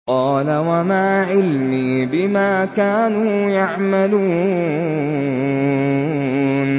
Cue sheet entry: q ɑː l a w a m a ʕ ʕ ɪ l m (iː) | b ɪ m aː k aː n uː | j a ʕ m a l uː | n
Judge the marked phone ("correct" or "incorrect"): correct